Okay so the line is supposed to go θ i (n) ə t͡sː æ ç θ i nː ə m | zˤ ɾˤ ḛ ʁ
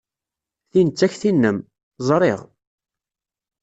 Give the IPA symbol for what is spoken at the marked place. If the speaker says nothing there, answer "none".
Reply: n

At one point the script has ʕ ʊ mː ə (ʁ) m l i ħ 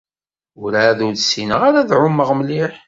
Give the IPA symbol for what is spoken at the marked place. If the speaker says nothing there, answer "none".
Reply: ʁ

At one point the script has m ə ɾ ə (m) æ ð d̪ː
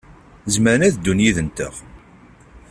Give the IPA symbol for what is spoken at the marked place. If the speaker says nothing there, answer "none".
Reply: n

